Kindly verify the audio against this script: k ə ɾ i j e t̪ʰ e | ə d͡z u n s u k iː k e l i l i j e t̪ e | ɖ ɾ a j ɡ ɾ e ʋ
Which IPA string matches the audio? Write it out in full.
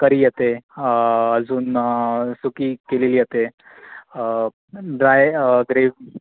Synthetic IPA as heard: k ə ɾ i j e t̪ e | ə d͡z uː n s u k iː k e l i l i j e t̪ e | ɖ ɾ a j ɡ ɾ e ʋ